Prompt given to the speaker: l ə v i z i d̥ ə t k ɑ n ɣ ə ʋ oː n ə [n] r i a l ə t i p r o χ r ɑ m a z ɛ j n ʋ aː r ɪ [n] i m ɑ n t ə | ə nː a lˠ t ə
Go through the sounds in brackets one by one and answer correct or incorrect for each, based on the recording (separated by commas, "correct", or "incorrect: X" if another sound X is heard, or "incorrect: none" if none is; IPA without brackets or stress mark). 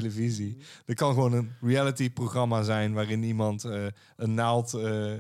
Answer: correct, correct